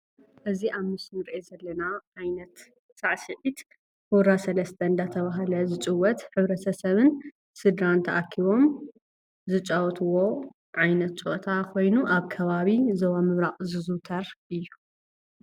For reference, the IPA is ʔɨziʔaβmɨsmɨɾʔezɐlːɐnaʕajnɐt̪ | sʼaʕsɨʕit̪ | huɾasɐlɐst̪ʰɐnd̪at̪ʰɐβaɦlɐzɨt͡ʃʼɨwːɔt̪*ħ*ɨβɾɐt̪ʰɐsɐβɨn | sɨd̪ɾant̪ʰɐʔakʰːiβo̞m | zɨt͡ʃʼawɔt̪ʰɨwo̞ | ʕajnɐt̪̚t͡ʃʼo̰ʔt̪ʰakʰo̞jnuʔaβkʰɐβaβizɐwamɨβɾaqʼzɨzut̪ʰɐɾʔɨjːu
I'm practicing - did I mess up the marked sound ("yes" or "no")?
no